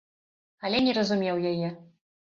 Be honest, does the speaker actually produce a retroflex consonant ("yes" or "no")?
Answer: no